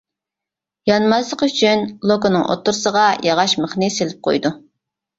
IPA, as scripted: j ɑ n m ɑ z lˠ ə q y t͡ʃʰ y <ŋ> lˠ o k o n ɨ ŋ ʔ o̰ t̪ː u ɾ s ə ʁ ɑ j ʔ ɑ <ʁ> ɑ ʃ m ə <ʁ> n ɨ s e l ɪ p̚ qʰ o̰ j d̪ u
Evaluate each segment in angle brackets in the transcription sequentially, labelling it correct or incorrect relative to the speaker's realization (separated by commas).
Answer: incorrect, correct, incorrect